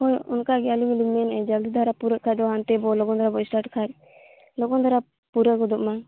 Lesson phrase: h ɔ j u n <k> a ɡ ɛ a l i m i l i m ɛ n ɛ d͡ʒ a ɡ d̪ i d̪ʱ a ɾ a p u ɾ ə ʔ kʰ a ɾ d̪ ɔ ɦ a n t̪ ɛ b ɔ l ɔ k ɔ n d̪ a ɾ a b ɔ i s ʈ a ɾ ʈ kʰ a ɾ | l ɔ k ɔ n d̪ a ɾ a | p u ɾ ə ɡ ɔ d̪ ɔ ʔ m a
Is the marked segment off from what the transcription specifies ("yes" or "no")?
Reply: no